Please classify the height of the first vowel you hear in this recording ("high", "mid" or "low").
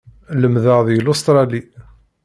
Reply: mid